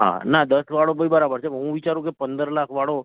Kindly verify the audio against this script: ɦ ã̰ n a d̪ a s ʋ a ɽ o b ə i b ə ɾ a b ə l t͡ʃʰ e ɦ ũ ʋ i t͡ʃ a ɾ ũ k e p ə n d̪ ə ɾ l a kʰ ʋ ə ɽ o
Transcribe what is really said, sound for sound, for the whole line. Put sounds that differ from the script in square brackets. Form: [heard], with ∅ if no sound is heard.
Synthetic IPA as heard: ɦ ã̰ n a d̪ [ə] s ʋ a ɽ o b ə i b ə ɾ a b ə [ɾ] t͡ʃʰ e ɦ ũ ʋ i t͡ʃ a ɾ ũ k e p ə n d̪ ə ɾ l a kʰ ʋ [a] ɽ o